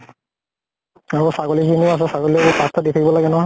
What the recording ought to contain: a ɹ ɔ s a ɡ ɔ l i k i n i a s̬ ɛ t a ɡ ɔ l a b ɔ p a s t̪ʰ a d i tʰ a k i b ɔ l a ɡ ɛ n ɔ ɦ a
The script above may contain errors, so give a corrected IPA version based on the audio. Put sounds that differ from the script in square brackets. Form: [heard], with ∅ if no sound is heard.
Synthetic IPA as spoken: a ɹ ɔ s a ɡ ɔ l i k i n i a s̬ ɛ [s] a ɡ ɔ l [i] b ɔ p a s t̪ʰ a d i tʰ a k i b ɔ l a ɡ ɛ n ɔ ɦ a